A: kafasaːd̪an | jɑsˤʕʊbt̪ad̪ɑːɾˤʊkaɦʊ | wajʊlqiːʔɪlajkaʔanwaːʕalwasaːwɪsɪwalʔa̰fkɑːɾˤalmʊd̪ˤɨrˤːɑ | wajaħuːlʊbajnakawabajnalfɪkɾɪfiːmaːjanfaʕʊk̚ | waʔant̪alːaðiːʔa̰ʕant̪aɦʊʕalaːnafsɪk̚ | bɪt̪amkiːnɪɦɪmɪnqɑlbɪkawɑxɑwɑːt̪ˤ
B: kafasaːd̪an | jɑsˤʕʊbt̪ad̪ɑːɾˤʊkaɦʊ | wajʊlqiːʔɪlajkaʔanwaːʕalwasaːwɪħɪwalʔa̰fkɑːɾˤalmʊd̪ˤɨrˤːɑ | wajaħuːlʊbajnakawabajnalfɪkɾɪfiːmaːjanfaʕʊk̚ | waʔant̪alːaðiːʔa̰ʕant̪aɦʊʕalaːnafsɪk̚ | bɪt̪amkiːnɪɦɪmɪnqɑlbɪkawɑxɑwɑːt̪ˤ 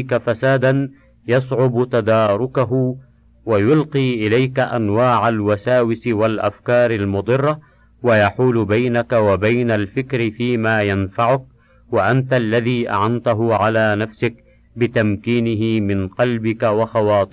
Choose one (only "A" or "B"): A